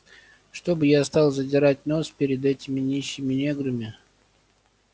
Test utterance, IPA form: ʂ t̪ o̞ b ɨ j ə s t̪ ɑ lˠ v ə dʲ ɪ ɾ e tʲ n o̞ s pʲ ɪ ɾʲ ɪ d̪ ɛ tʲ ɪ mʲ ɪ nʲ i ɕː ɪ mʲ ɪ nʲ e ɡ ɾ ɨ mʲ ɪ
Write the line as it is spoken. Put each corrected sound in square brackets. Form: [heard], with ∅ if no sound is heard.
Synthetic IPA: ʂ t̪ o̞ b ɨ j [a] s t̪ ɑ lˠ [z] ə dʲ ɪ ɾ [a] tʲ n o̞ s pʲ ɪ ɾʲ ɪ d̪ ɛ tʲ ɪ mʲ ɪ nʲ i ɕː ɪ mʲ ɪ nʲ e ɡ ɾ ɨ mʲ ɪ